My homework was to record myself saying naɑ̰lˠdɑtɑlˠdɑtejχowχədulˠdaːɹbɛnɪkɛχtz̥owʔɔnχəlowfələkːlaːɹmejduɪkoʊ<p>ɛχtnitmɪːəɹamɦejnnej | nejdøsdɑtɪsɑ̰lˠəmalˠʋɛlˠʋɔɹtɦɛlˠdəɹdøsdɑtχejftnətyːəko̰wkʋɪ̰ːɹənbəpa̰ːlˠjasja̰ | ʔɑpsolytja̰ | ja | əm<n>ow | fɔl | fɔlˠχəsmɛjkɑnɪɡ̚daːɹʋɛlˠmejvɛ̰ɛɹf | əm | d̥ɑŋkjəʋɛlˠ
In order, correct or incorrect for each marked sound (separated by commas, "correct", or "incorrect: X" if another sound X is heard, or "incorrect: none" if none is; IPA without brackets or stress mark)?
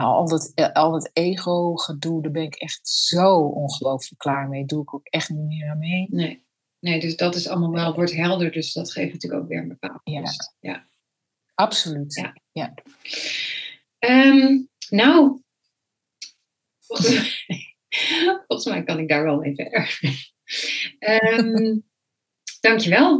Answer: incorrect: k, correct